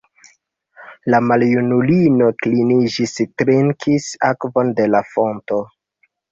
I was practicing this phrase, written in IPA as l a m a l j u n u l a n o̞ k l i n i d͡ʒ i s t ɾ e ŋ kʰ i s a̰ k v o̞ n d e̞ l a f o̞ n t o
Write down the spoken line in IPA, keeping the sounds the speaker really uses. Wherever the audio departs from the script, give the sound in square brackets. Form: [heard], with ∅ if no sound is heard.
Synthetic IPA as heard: l a m a l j u n u l [i] n o̞ k l i n i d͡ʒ i s t ɾ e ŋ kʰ i s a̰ k v o̞ n d e̞ l a f o̞ n t o